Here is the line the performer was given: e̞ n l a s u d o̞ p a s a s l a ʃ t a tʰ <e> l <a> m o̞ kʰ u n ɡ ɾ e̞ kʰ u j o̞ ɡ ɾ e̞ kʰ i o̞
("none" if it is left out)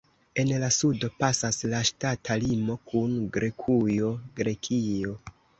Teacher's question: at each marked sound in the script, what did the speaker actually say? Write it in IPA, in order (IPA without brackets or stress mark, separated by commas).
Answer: a, i